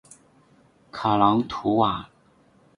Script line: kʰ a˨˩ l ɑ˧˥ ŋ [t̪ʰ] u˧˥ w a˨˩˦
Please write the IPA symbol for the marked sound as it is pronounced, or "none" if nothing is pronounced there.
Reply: t̪ʰ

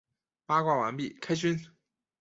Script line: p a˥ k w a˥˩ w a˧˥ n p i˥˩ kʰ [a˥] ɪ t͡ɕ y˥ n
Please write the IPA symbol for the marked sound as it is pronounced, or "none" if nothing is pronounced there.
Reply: a˥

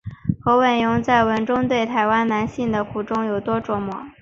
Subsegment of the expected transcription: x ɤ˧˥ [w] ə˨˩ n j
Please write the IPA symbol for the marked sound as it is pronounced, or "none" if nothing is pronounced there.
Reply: w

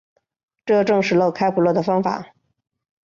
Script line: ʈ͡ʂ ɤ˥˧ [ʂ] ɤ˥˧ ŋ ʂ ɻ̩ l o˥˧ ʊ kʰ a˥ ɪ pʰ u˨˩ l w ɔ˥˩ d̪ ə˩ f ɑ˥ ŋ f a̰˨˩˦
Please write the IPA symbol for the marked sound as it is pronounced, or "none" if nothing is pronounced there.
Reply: ʈ͡ʂ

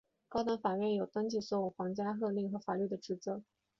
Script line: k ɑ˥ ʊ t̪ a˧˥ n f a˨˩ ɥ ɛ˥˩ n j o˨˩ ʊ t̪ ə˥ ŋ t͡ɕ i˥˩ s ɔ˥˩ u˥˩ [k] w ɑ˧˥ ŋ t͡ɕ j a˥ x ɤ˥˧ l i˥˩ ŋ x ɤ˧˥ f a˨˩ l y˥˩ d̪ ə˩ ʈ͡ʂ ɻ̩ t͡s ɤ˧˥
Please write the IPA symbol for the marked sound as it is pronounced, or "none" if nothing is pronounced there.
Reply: x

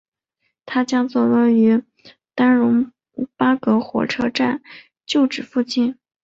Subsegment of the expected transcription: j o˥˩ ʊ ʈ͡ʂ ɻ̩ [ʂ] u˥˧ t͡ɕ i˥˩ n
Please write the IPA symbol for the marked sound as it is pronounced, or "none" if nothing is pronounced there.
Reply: f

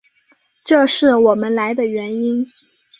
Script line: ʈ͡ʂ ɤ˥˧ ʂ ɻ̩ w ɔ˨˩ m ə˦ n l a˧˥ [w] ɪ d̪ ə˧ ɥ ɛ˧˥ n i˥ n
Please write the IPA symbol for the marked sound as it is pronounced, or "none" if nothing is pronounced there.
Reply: none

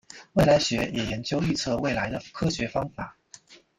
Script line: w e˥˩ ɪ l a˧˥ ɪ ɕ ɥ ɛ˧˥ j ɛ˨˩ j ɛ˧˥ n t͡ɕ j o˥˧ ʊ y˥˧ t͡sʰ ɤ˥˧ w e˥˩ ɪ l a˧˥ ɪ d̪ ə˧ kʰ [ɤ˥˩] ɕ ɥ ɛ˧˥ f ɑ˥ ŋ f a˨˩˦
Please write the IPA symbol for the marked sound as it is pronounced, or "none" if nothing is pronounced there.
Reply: ɤ˥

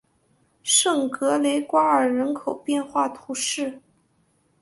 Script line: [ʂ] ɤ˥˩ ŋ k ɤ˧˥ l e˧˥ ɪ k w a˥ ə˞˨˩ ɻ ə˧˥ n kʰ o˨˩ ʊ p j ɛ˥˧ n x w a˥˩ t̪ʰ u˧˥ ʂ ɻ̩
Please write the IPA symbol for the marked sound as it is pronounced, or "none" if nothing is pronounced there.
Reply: ʂ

